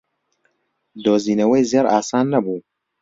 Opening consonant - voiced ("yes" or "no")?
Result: yes